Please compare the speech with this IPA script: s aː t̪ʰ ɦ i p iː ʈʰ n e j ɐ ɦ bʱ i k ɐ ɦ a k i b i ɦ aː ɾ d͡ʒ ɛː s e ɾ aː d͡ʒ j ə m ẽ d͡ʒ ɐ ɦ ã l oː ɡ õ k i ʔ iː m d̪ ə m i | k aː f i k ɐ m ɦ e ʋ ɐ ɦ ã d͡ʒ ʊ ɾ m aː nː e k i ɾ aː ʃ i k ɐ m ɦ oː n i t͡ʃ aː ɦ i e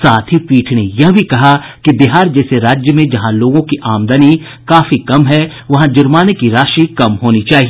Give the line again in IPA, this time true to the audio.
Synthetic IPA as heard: s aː t̪ʰ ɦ i p iː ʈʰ n e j ɐ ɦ bʱ i k ɐ ɦ a k i b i ɦ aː ɾ d͡ʒ ɛː s e ɾ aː d͡ʒ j ə m ẽ d͡ʒ ɐ ɦ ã l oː ɡ õ k i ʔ aː m d̪ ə n i | k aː f i k ɐ m ɦ ɛ ʋ ɐ ɦ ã d͡ʒ ʊ ɾ m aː n e k i ɾ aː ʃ i k ɐ m ɦ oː n i t͡ʃ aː ɦ i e